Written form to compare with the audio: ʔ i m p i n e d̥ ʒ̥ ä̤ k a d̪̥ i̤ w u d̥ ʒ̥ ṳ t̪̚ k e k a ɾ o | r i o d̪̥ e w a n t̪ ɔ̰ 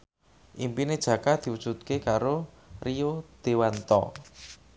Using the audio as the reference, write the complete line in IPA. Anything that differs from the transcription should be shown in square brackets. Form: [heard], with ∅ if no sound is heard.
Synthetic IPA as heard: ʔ i m p i n e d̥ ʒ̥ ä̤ k a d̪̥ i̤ w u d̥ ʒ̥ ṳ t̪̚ k e k a ɾ o | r i o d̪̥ e w a n t̪ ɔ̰